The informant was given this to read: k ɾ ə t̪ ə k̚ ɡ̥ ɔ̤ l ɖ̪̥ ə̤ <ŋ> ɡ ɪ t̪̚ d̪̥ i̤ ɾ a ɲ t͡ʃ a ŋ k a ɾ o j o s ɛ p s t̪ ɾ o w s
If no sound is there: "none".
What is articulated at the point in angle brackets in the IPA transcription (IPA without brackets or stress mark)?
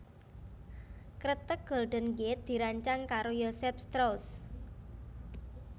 n